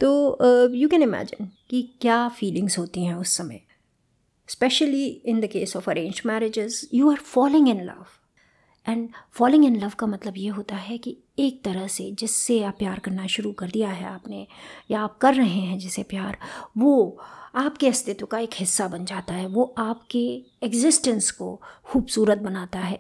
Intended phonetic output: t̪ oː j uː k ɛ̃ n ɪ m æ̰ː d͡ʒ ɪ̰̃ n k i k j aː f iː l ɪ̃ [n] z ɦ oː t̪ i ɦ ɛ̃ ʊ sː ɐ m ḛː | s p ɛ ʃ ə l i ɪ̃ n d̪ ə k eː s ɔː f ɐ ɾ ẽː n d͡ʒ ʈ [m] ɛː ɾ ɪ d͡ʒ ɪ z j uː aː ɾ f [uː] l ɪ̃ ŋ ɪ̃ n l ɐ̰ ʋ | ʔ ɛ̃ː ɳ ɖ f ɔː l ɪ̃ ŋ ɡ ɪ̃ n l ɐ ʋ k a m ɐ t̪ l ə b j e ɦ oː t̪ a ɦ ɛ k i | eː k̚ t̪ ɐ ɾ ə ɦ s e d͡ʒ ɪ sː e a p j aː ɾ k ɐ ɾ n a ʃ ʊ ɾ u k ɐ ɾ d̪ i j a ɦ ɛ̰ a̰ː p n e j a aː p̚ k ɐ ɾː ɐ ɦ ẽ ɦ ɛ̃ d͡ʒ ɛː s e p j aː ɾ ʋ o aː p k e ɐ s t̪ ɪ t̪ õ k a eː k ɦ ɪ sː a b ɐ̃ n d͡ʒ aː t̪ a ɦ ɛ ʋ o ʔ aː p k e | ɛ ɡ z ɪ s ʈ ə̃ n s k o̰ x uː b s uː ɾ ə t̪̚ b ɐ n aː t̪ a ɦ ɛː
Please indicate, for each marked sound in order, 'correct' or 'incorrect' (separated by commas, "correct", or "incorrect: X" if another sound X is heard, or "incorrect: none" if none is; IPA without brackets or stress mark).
incorrect: ŋ, correct, incorrect: ɔː